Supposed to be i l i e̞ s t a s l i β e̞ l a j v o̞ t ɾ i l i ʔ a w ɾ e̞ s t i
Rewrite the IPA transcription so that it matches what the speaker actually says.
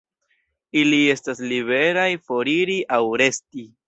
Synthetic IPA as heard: i l i e̞ s t a s l i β e̞ ɾ a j f o̞ ɾ i ɾ i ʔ a w ɾ e̞ s t i